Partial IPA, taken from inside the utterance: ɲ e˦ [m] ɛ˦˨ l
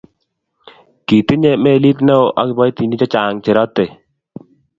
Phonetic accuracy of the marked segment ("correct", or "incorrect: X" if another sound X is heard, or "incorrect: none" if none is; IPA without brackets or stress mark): correct